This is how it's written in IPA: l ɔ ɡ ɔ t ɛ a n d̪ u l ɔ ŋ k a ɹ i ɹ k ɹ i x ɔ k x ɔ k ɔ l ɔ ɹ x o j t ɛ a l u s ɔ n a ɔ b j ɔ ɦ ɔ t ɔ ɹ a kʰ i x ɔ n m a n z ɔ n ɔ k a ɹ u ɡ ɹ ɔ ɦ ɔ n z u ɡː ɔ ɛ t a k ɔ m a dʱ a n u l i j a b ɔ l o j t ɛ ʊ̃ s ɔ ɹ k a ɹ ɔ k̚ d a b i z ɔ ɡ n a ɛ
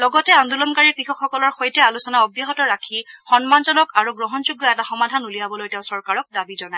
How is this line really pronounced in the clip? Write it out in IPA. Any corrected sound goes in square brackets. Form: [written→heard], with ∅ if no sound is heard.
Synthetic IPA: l ɔ ɡ ɔ t ɛ a n d̪ u l ɔ [ŋ→n] k a ɹ i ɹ k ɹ i x ɔ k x ɔ k ɔ l ɔ ɹ x o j t ɛ a l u s ɔ n a ɔ b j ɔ ɦ ɔ t ɔ ɹ a kʰ i x ɔ n m a n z ɔ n ɔ k a ɹ u ɡ ɹ ɔ ɦ ɔ n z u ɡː ɔ ɛ t a [k→x] ɔ m a dʱ a n u l i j a b ɔ l o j t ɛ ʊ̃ s ɔ ɹ k a ɹ ɔ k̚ d a b i z ɔ [ɡ→∅] n a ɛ